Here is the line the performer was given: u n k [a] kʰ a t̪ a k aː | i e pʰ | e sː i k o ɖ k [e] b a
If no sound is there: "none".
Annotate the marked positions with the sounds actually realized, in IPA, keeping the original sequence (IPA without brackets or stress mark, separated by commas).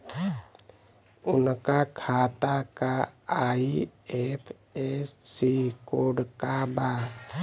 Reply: a, a